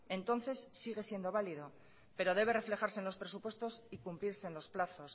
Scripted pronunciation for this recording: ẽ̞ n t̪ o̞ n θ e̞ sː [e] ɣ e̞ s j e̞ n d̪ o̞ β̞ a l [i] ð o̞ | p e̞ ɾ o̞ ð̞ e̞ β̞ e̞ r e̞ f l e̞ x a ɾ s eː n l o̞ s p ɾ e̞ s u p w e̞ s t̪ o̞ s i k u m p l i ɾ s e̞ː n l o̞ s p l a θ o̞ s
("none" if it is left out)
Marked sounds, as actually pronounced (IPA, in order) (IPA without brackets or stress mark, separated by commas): i, i